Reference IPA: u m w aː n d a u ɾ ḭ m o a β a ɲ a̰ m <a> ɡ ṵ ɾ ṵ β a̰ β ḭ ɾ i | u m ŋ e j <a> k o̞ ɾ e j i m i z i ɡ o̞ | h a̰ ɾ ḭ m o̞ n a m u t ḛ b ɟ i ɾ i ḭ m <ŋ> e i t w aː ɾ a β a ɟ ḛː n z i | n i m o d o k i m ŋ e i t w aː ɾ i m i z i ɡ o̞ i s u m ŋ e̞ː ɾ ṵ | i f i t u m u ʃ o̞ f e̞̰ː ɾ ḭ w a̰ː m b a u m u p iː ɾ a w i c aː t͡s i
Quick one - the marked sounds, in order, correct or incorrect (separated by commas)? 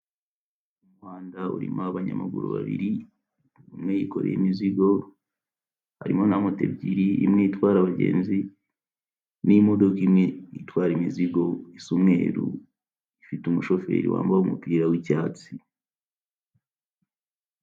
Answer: correct, incorrect, correct